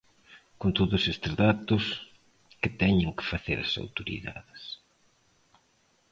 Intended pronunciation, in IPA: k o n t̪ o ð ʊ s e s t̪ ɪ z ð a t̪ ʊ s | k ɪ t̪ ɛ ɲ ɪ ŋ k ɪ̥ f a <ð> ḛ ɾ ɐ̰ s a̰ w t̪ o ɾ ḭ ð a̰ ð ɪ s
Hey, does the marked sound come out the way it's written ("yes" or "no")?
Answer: no